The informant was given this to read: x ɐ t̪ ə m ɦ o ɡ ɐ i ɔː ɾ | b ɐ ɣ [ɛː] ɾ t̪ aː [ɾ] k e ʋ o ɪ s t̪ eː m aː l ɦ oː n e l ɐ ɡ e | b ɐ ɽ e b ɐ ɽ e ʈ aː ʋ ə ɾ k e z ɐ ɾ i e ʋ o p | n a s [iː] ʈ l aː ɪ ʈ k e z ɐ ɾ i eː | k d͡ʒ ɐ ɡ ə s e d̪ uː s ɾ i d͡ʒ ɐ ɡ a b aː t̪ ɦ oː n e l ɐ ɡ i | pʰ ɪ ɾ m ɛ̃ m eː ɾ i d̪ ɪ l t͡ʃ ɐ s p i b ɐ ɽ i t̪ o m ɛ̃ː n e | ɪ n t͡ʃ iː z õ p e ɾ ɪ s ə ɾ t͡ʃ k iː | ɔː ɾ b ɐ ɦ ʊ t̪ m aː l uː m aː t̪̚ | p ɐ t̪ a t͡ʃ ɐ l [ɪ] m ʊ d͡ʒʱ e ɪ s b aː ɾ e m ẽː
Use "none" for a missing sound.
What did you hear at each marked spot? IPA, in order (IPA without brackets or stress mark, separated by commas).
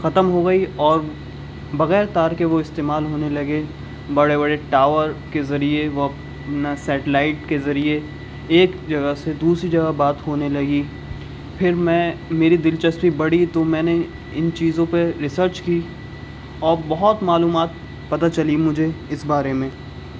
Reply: ɛː, ɾ, ɛː, i